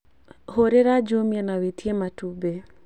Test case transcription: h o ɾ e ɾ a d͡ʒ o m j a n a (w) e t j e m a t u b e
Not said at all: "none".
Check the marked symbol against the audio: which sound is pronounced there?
w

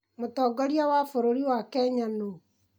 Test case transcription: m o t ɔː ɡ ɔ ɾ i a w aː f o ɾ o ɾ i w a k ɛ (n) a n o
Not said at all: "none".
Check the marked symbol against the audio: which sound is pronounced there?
ɲ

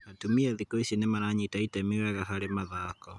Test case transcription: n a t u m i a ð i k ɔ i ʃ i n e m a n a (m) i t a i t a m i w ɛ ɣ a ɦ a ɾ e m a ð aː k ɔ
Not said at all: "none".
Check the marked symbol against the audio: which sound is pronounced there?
ɲ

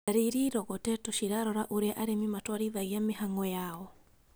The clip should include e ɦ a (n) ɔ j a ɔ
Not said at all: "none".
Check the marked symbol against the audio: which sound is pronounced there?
ŋ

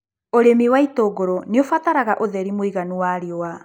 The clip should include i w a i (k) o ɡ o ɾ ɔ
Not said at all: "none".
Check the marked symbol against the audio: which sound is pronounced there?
t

